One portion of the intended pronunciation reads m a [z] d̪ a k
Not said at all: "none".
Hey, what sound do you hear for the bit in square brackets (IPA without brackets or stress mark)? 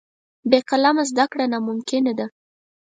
z